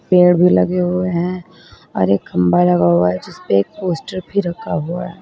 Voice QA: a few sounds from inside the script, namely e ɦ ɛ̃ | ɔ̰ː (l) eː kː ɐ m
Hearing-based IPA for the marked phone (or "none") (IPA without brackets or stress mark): ɾ